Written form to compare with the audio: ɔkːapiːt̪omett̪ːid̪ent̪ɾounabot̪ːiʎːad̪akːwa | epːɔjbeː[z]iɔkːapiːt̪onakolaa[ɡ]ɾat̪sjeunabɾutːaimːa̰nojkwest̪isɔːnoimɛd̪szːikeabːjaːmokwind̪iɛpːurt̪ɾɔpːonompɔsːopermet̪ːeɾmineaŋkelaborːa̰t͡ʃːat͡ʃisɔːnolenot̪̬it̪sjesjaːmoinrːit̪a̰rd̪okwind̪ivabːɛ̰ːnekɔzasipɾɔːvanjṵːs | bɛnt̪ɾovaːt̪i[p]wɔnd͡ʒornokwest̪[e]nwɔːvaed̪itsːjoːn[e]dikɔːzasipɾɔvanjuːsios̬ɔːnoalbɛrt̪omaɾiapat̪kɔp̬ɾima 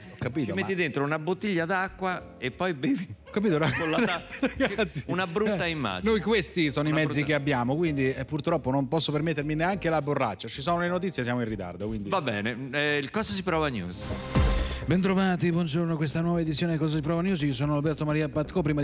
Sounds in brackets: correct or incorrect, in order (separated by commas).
incorrect, correct, incorrect, incorrect, correct